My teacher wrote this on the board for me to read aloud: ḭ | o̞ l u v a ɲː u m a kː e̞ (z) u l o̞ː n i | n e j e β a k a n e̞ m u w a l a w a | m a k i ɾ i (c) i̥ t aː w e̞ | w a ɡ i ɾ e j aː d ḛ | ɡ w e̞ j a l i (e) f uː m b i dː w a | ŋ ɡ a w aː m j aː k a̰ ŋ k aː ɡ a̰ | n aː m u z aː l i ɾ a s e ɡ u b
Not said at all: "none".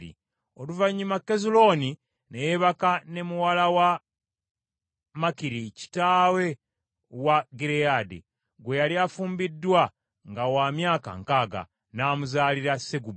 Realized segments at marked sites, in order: z, c, a

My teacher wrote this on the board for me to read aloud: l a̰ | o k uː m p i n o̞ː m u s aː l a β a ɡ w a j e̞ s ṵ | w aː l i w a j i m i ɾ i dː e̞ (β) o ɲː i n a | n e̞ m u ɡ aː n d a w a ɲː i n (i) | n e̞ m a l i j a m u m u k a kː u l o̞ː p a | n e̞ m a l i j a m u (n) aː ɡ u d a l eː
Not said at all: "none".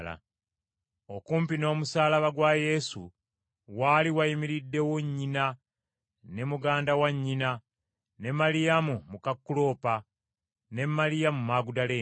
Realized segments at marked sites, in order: w, a, m

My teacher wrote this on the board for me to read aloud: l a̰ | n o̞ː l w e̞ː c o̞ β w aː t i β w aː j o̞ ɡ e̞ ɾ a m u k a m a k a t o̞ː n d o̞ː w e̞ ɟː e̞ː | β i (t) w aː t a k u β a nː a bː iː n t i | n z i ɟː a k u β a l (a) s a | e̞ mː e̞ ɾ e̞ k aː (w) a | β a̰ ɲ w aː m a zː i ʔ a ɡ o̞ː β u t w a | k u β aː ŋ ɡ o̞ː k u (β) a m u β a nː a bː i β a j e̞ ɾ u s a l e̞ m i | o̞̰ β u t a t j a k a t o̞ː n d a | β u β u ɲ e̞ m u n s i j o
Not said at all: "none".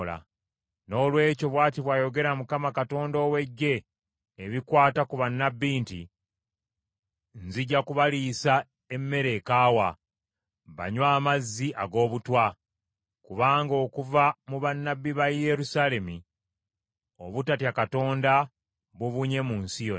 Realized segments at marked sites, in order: k, i, w, v

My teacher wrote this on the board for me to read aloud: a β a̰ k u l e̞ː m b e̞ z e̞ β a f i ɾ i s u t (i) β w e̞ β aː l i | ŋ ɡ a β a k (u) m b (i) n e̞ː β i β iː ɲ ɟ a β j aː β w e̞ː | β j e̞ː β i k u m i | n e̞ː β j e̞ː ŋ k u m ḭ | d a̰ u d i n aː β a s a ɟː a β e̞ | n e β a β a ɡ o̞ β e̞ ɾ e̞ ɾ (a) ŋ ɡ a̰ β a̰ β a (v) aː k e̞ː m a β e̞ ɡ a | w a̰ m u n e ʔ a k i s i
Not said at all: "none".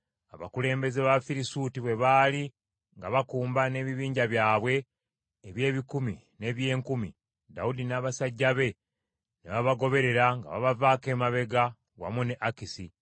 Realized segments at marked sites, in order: i, uː, a, a, v

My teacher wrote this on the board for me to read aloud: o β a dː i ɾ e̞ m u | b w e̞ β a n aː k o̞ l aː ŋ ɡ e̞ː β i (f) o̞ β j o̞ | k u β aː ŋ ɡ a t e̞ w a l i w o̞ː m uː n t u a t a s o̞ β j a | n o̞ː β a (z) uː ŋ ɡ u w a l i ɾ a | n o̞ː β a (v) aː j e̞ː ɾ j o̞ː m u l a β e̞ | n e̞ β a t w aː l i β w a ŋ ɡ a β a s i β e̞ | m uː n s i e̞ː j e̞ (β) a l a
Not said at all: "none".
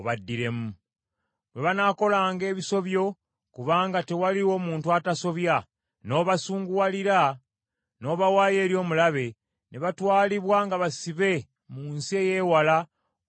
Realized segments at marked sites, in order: s, s, w, w

